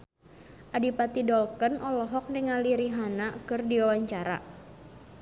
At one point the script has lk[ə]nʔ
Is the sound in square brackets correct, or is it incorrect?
correct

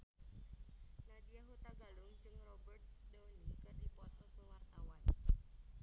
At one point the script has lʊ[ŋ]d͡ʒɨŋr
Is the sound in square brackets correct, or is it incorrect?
correct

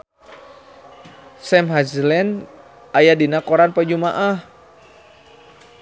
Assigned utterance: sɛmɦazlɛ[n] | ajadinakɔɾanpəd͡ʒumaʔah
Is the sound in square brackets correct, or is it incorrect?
correct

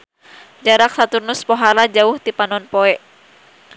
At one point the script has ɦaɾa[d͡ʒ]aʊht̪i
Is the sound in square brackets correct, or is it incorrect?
correct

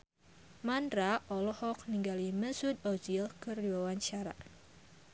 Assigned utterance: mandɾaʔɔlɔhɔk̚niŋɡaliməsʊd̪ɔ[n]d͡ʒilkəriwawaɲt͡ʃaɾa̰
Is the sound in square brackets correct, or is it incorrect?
incorrect: none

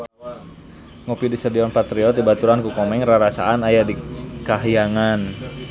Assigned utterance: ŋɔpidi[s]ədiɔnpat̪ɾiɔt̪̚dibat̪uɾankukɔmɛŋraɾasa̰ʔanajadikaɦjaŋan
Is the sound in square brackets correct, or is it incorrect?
correct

